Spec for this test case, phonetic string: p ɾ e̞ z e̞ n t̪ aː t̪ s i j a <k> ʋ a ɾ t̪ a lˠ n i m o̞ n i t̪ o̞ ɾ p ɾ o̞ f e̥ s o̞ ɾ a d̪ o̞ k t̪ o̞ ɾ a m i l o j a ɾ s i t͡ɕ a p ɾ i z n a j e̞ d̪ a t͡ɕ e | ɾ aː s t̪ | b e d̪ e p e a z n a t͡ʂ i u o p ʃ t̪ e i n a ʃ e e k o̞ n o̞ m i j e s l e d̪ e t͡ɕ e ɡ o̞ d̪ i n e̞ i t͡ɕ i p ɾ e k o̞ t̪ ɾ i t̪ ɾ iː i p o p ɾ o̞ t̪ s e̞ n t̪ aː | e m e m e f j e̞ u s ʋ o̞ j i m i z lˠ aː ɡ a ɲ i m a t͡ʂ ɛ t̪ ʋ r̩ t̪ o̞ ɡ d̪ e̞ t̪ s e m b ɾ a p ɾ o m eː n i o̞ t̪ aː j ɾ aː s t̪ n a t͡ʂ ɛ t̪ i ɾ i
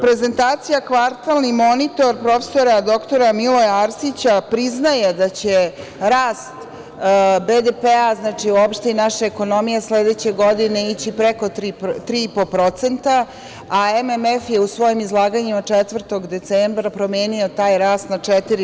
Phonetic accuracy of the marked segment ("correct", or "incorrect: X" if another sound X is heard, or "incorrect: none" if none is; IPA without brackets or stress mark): correct